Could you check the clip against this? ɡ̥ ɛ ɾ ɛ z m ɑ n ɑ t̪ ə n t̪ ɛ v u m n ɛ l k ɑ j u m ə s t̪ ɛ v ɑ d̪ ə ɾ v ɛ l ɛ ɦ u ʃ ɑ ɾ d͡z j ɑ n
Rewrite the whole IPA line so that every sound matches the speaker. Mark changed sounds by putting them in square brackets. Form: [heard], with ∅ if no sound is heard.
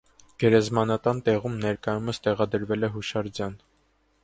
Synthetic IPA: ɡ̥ ɛ ɾ ɛ z m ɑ n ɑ t̪ [ɑ] n t̪ ɛ [ʁ] u m n ɛ [ɾ] k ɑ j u m ə s t̪ ɛ [ʁ] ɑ d̪ ə ɾ v ɛ l ɛ ɦ u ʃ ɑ ɾ d͡z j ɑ n

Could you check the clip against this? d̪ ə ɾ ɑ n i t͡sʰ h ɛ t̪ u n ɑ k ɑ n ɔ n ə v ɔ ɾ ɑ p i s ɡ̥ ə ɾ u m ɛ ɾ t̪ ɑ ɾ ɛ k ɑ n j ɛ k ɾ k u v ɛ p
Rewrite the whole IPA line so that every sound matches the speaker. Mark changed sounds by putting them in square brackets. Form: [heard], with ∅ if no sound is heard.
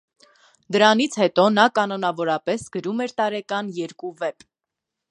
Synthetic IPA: d̪ ə ɾ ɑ n i t͡sʰ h ɛ t̪ [ɔ] n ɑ k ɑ n ɔ n [ɑ] v ɔ ɾ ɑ p [ɛ] s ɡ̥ ə ɾ u m ɛ ɾ t̪ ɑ ɾ ɛ k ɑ n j ɛ [∅] ɾ k u v ɛ p

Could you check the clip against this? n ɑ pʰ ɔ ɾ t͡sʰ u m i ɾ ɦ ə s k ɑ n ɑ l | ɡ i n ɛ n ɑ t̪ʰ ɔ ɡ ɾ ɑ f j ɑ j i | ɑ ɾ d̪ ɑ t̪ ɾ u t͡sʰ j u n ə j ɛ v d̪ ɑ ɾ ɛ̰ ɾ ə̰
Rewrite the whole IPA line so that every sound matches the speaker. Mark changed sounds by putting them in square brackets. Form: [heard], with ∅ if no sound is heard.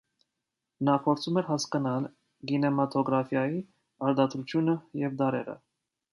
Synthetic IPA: n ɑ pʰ ɔ ɾ t͡sʰ u m [ɛ] ɾ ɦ [ɑ] s k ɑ n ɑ l | ɡ i n ɛ [m] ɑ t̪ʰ ɔ ɡ ɾ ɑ f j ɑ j i | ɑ ɾ d̪ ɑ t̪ ɾ u t͡sʰ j u n ə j ɛ v d̪ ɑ ɾ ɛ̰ ɾ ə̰

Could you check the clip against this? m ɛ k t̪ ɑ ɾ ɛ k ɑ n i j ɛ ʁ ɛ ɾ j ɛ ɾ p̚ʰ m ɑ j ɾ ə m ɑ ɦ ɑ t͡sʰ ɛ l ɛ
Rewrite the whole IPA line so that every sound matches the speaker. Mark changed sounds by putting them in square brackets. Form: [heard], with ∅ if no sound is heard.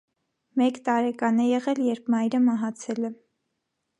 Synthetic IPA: m ɛ k t̪ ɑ ɾ ɛ k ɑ n [ɛ] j ɛ ʁ ɛ [l] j ɛ ɾ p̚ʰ m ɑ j ɾ ə m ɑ ɦ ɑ t͡sʰ ɛ l ɛ

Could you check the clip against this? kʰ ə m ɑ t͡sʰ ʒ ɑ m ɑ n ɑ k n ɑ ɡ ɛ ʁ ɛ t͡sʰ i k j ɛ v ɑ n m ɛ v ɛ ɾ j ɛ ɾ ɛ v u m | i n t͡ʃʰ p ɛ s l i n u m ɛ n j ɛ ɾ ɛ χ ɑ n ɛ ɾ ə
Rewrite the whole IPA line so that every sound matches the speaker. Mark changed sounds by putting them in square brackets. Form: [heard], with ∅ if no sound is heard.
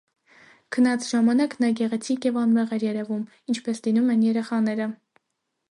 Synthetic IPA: kʰ ə [n] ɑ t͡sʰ ʒ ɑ m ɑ n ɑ k n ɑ ɡ ɛ ʁ ɛ t͡sʰ i k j ɛ v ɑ n m ɛ [ʁ] ɛ ɾ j ɛ ɾ ɛ v u m | i n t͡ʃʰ p ɛ s l i n u m ɛ n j ɛ ɾ ɛ χ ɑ n ɛ ɾ ə

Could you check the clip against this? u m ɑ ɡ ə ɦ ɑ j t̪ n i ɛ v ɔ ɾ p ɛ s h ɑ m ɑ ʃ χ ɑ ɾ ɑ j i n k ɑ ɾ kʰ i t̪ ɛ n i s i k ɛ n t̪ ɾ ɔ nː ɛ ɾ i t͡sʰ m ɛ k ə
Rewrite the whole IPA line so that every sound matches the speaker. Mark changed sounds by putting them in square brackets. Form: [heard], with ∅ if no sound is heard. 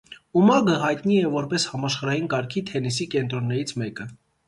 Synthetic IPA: u m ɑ ɡ ə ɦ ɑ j t̪ n i ɛ v ɔ ɾ p ɛ s h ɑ m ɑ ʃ χ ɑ ɾ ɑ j i n k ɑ ɾ kʰ i [t̪ʰ] ɛ n i s i k ɛ n t̪ ɾ ɔ nː ɛ ɾ i t͡sʰ m ɛ k ə

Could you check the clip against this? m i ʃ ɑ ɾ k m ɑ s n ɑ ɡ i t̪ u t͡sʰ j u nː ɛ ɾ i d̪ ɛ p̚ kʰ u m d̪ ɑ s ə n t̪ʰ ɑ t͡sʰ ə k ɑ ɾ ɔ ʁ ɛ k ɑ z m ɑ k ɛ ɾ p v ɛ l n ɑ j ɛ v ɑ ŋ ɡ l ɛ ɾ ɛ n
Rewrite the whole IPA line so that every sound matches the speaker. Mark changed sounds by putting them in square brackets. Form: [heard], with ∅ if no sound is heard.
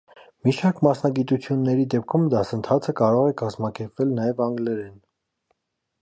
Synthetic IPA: m i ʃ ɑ ɾ k m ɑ s n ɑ ɡ i t̪ u t͡sʰ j u nː ɛ ɾ i d̪ ɛ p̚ kʰ u m d̪ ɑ s ə n t̪ʰ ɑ t͡sʰ ə k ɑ ɾ ɔ ʁ ɛ k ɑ z m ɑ k ɛ ɾ p v ɛ l n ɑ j ɛ v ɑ ŋ ɡ l ɛ ɾ ɛ n

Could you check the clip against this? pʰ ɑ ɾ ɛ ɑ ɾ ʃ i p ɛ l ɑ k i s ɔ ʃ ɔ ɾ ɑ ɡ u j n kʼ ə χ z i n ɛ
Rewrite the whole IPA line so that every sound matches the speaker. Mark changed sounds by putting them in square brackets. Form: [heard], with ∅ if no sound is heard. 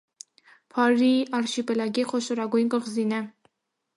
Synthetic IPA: pʰ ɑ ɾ [i] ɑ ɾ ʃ i p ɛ l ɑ [ɡ] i [χ] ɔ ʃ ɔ ɾ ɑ ɡ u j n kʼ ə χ z i n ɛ

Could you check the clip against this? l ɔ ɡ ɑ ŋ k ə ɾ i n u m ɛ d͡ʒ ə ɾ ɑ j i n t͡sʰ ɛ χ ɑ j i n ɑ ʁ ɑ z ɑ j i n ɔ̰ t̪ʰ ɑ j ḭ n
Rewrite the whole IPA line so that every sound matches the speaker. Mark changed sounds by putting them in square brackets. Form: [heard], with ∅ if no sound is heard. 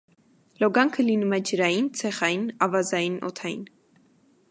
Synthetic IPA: l ɔ ɡ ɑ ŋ [kʰ] ə [l] i n u m ɛ d͡ʒ ə ɾ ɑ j i n t͡sʰ ɛ χ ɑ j i n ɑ [v] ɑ z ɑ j i n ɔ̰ t̪ʰ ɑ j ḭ n

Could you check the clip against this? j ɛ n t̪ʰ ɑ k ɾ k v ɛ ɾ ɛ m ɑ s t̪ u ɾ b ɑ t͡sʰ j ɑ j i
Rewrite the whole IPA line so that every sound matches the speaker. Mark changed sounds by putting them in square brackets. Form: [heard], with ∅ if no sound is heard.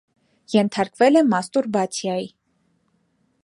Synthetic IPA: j ɛ n t̪ʰ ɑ [∅] ɾ k v ɛ [l] ɛ m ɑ s t̪ u ɾ b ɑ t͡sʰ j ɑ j i

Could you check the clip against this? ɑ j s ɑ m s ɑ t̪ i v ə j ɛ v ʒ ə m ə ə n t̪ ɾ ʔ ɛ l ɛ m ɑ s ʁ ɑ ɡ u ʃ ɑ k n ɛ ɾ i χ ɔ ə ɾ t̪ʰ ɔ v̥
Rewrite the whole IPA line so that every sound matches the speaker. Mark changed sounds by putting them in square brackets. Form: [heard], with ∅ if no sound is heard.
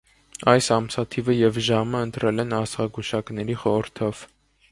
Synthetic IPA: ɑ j s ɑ m s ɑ [t̪ʰ] i v ə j ɛ v ʒ [ɑ] m ə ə n t̪ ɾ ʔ ɛ l ɛ [n] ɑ s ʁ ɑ ɡ u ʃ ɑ k n ɛ ɾ i χ ɔ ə ɾ t̪ʰ ɔ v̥

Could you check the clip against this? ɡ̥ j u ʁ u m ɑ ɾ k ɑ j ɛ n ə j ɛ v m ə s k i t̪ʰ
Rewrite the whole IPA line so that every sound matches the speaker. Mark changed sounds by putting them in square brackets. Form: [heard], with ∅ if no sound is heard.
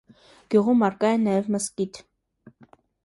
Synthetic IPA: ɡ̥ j u ʁ u m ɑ ɾ k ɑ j ɛ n [ɑ] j ɛ v m ə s k i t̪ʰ

